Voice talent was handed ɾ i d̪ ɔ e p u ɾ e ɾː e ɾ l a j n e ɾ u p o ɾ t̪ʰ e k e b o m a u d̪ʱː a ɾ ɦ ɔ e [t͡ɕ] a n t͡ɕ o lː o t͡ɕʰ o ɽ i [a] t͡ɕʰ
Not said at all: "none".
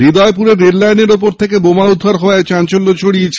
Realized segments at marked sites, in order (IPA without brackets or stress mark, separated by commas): t͡ɕ, e